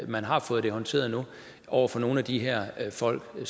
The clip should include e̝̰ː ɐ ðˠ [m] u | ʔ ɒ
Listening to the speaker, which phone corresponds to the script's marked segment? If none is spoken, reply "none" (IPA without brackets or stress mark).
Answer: n